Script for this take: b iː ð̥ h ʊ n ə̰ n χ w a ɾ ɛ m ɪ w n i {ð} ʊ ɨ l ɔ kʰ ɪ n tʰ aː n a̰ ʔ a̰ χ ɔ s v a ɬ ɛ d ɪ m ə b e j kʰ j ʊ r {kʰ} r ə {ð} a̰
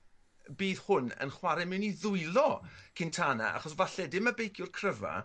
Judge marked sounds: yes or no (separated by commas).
yes, yes, no